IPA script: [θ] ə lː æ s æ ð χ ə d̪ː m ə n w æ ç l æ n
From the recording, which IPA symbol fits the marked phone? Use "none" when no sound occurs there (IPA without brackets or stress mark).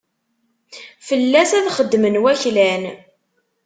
f